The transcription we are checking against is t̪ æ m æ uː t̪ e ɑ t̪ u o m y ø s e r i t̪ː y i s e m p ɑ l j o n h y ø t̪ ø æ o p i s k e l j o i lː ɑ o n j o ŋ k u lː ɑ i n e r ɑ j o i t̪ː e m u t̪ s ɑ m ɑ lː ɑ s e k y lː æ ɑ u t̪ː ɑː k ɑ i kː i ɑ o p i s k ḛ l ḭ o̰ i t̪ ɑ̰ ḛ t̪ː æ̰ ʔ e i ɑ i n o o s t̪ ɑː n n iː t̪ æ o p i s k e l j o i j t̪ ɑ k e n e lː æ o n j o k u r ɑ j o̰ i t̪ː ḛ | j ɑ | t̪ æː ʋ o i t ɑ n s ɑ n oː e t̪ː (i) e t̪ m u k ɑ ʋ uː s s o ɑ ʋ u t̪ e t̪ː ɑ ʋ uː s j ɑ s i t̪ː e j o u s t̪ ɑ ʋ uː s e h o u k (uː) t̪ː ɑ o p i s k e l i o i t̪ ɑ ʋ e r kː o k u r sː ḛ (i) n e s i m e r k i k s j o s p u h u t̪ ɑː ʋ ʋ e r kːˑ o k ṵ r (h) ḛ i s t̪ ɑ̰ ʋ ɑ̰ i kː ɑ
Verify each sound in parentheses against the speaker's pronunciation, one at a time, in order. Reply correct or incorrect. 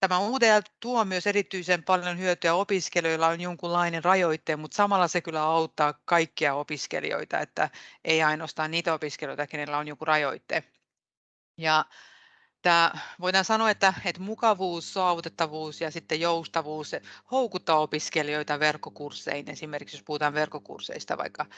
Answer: incorrect: æ, incorrect: u, correct, incorrect: s

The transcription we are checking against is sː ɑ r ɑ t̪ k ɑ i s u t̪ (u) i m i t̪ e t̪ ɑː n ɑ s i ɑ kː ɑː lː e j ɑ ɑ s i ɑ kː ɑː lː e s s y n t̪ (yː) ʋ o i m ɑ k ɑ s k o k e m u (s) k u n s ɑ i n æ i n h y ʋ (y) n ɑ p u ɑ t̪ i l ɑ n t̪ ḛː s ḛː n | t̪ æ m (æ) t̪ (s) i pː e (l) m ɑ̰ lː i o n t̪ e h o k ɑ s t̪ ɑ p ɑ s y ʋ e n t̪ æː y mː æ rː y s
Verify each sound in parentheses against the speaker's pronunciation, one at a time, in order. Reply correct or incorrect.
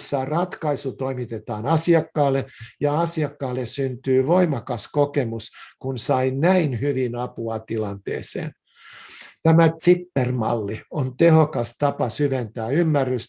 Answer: incorrect: o, correct, correct, incorrect: i, correct, correct, incorrect: r

